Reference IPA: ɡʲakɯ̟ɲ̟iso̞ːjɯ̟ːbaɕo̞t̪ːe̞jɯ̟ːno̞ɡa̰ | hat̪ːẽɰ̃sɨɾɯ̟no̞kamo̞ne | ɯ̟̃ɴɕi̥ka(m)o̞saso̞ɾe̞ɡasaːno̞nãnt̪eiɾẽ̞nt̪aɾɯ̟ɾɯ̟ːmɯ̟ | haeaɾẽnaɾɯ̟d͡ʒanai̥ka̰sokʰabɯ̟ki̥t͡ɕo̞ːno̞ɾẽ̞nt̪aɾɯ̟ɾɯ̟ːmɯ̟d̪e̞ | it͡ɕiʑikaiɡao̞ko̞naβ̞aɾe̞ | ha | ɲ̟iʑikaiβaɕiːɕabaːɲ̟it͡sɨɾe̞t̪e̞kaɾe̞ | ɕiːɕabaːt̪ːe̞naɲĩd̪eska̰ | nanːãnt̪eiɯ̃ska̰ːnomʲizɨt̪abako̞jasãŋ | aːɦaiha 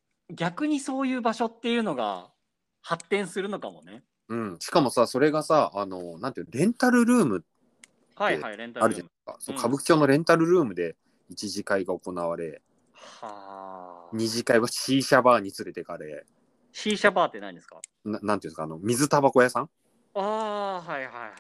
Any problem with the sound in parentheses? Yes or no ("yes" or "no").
no